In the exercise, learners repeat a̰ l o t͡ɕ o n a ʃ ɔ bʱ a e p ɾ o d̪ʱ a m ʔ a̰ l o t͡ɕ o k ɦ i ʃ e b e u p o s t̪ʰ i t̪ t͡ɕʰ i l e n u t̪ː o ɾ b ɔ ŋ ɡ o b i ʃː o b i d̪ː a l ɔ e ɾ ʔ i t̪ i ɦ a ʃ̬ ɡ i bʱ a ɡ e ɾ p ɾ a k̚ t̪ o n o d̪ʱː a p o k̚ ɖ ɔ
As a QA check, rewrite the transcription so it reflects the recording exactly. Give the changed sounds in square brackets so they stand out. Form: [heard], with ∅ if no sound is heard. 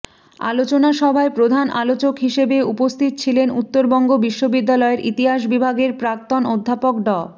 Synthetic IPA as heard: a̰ l o t͡ɕ o n a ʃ ɔ bʱ a e p ɾ o d̪ʱ a [n] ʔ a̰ l o t͡ɕ o k ɦ i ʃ e b e u p o s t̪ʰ i t̪ t͡ɕʰ i l e n u t̪ː o ɾ b ɔ ŋ ɡ o b i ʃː o b i d̪ː a l ɔ e ɾ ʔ i t̪ i ɦ a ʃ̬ [b] i bʱ a ɡ e ɾ p ɾ a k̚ t̪ o n o d̪ʱː a p o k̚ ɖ ɔ